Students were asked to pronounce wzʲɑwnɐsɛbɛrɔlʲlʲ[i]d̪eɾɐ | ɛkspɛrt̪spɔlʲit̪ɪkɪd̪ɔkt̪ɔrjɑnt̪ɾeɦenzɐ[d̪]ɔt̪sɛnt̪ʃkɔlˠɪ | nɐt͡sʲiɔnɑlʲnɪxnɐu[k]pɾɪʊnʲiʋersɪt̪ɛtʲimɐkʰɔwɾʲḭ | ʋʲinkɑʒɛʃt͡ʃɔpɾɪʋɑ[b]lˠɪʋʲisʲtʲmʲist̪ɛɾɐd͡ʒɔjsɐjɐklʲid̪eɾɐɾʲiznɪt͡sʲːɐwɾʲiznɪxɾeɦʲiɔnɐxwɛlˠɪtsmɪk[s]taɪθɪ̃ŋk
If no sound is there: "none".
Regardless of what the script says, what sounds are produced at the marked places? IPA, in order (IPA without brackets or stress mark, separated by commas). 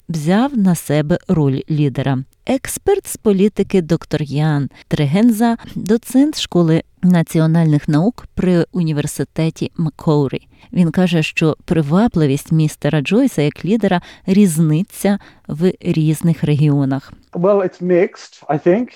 i, d̪, k, p, s